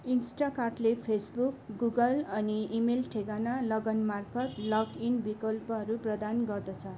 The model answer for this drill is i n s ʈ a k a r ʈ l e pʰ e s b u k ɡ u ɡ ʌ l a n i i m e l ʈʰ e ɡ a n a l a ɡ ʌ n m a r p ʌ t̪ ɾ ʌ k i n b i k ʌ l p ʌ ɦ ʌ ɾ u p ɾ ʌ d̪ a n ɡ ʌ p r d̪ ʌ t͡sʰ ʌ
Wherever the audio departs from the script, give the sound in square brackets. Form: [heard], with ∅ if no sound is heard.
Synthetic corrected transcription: i n s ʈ a k a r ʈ l e pʰ e s b u k ɡ u ɡ ʌ l [ʌ] n i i m e l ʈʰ e ɡ a n a l [ʌ] ɡ ʌ n m a r [pʰ] ʌ t̪ [l] ʌ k i n b i k ʌ l p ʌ ɦ ʌ ɾ u p [r] ʌ d̪ a n ɡ ʌ [∅] r d̪ ʌ t͡sʰ ʌ